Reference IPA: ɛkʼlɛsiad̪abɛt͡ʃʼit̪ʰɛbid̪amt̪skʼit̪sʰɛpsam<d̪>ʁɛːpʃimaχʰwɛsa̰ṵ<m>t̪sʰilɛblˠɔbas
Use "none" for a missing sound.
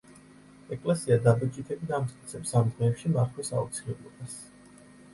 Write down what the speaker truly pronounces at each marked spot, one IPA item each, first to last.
d̪, none

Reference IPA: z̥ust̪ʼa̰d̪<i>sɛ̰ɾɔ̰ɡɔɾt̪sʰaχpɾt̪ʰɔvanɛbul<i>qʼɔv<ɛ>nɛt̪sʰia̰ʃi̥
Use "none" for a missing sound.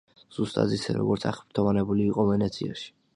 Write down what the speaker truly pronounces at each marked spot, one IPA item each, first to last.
i, iː, ɛ

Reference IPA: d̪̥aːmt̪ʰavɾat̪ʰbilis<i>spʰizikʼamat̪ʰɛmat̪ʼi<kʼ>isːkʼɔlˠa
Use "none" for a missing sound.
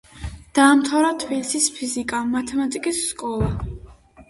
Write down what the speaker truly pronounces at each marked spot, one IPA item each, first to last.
i, kʼ

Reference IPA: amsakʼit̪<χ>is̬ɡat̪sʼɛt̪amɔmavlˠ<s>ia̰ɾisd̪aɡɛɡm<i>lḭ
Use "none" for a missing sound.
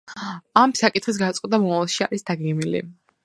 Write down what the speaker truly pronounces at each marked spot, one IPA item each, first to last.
χ, ʃ, i

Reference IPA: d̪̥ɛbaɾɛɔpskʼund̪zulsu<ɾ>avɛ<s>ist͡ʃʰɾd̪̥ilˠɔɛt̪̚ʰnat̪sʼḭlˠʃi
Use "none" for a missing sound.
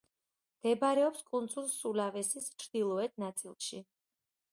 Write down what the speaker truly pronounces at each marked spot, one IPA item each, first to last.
l, s

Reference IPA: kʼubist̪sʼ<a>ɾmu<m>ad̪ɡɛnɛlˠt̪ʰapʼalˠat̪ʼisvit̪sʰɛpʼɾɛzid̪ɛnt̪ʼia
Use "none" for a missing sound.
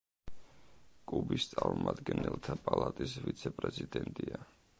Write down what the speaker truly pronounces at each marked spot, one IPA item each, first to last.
a, m

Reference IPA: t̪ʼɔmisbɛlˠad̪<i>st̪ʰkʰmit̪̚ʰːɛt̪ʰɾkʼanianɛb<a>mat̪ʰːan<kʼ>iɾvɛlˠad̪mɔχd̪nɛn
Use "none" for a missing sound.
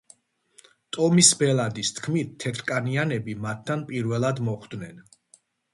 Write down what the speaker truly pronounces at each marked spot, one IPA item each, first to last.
i, i, pʼ

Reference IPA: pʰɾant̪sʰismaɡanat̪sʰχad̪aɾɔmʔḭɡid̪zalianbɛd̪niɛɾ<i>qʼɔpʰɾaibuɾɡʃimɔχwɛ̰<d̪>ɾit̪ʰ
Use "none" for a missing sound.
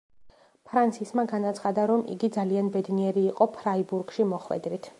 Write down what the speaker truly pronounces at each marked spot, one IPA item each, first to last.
iː, d̪

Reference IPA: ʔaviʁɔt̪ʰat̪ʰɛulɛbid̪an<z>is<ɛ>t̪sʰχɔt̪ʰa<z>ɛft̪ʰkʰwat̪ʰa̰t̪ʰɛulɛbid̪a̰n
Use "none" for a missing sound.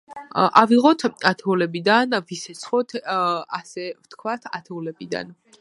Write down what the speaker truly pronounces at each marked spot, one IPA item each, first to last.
v, ɛ, s

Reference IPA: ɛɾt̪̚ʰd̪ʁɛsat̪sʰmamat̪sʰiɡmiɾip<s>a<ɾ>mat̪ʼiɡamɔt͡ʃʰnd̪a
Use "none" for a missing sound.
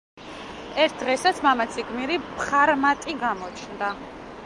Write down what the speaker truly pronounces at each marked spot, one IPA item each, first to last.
χ, ɾ

